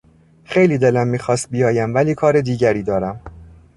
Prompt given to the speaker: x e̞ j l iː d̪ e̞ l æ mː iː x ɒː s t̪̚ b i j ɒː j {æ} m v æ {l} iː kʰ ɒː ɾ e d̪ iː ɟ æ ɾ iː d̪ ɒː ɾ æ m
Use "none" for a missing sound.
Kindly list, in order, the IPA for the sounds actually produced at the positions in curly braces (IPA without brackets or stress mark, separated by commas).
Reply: æ, l